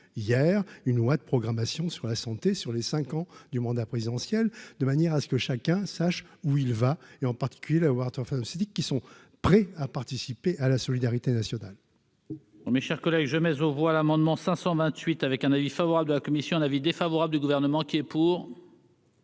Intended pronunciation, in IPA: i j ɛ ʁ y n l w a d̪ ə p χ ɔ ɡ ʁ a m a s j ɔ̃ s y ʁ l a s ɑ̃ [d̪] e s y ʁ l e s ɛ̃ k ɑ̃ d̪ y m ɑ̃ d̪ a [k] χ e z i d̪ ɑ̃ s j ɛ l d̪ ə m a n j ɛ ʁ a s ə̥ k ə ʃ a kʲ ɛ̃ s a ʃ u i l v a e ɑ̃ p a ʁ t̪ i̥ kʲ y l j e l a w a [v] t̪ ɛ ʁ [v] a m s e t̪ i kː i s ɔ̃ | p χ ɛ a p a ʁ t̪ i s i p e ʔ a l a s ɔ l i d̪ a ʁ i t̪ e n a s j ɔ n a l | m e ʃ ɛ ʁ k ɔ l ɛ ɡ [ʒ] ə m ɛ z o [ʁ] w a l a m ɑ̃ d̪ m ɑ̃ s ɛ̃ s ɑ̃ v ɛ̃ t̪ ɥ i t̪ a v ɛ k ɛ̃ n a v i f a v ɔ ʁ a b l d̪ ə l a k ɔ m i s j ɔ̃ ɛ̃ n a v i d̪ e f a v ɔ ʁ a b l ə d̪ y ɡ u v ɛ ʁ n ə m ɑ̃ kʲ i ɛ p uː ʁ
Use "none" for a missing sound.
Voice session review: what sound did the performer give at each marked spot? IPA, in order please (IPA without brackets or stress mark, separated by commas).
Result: t̪, p, ʁ, f, ʒ, v